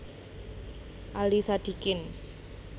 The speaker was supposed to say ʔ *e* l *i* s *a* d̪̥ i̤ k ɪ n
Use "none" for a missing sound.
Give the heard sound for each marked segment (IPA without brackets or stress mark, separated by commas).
a, i, a